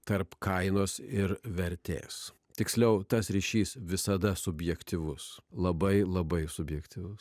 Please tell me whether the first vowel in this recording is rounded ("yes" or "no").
no